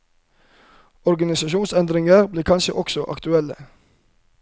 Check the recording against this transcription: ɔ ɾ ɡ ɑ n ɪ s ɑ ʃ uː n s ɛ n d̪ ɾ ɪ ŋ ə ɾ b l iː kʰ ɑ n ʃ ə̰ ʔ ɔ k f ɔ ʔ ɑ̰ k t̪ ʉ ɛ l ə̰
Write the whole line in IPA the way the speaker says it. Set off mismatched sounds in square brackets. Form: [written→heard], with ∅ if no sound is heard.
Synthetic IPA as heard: ɔ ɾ ɡ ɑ n ɪ s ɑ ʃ uː n s ɛ n d̪ ɾ ɪ ŋ ə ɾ b l iː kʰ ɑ n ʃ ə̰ ʔ ɔ k [f→s] ɔ ʔ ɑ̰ k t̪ ʉ ɛ l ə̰

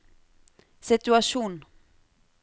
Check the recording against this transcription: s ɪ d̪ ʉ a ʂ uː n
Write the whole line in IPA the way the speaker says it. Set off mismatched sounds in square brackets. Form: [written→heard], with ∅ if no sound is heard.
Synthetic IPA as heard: s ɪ [d̪→t̪] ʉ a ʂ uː n

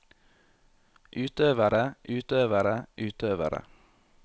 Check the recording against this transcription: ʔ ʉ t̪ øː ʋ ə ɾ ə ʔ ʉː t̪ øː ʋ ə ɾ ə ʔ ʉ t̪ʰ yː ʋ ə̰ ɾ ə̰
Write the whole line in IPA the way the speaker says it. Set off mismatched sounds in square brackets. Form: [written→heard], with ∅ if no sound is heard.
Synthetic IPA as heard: ʔ [ʉ→ʉː] t̪ øː ʋ ə ɾ ə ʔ ʉː t̪ øː ʋ ə ɾ ə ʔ [ʉ→ʉː] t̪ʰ [yː→øː] ʋ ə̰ ɾ ə̰

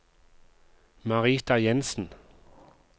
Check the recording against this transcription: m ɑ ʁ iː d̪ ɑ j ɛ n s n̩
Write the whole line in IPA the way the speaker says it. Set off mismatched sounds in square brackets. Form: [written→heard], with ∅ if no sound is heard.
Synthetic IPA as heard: m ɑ ʁ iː [d̪→t̪] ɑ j ɛ n s n̩

